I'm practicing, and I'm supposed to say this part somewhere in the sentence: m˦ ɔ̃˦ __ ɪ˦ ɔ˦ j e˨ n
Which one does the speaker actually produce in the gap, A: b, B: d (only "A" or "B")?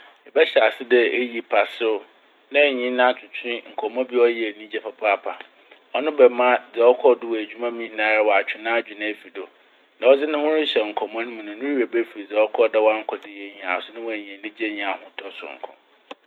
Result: A